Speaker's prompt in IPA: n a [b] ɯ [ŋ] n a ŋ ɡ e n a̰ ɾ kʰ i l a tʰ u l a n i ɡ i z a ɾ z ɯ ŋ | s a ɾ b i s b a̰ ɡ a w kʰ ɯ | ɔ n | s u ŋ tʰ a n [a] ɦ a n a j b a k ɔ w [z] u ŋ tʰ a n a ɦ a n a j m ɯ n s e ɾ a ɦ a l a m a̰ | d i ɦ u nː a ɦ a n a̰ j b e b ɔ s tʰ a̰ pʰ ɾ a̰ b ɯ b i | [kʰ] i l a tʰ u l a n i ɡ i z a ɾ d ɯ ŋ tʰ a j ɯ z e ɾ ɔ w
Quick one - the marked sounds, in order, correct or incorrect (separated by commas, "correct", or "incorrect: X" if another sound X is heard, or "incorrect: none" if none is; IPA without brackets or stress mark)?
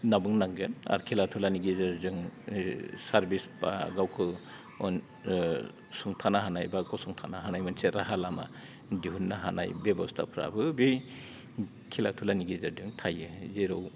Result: correct, correct, correct, incorrect: s, correct